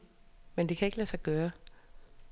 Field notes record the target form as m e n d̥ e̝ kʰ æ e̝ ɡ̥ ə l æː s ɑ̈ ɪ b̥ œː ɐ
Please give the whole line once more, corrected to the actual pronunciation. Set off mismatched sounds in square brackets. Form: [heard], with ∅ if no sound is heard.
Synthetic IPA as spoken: m e n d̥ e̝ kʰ æ e̝ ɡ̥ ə l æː s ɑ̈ ɪ [ɡ̥] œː ɐ